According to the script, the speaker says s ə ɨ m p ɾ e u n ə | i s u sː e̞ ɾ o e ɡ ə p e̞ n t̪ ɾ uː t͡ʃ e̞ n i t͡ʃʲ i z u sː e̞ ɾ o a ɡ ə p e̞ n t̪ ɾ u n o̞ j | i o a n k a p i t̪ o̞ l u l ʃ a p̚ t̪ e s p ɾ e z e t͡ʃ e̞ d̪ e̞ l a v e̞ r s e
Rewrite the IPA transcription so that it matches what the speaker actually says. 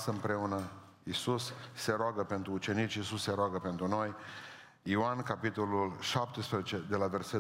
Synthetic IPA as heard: s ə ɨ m p ɾ e u n ə | i s u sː e̞ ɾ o a ɡ ə p e̞ n t̪ ɾ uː t͡ʃ e̞ n i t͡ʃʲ i s u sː e̞ ɾ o a ɡ ə p e̞ n t̪ ɾ u n o̞ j | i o a n k a p i t̪ o̞ l u l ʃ a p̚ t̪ e s p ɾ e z e t͡ʃ e̞ d̪ e̞ l a v e̞ r s e